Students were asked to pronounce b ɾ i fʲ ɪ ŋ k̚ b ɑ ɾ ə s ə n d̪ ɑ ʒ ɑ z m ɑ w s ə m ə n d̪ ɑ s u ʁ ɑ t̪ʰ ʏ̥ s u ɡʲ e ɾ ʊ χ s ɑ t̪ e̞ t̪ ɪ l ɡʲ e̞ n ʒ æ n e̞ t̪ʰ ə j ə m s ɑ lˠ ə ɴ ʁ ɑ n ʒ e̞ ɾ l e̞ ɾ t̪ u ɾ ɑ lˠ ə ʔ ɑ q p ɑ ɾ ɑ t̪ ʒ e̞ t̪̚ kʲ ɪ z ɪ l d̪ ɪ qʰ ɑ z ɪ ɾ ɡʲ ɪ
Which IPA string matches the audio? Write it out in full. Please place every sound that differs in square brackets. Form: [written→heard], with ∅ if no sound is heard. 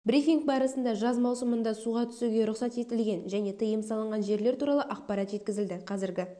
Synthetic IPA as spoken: b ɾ i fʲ [ɪ→i] ŋ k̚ b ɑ ɾ ə s ə n d̪ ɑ ʒ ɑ z m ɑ w s ə m ə n d̪ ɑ s u ʁ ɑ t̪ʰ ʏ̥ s u ɡʲ e ɾ ʊ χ s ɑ t̪ e̞ t̪ ɪ l ɡʲ e̞ n ʒ æ n e̞ t̪ʰ ə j ə m s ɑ lˠ ə ɴ ʁ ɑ n ʒ e̞ ɾ l e̞ ɾ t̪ u ɾ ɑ lˠ ə ʔ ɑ q p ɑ ɾ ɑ t̪ ʒ e̞ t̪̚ kʲ ɪ z ɪ l d̪ ɪ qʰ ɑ z ɪ ɾ ɡʲ ɪ